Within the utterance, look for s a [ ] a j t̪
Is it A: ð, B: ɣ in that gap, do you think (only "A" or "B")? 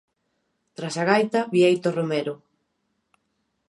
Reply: B